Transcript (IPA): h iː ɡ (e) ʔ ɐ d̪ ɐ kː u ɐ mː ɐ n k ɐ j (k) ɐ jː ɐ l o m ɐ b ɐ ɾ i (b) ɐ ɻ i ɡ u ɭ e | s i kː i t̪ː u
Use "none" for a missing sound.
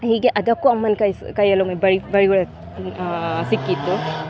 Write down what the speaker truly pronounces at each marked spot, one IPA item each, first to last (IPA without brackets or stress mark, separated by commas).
e, k, b